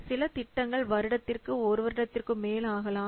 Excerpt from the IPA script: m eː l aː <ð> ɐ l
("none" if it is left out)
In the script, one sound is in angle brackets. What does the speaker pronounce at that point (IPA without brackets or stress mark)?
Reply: ɣ